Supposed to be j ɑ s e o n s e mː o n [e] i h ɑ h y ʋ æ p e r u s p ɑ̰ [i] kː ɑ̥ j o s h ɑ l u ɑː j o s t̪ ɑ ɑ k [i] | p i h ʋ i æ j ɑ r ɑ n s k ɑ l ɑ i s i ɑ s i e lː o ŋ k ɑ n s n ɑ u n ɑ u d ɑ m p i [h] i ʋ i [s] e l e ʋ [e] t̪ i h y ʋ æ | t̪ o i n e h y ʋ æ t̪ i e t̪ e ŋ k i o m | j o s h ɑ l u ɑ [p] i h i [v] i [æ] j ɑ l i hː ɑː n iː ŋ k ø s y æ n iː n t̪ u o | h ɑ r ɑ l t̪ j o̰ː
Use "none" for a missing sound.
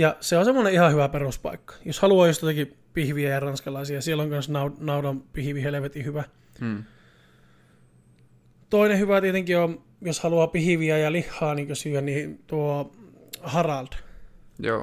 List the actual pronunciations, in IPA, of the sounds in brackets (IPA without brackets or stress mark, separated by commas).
e, i, i, h, h, e, p, ʋ, æ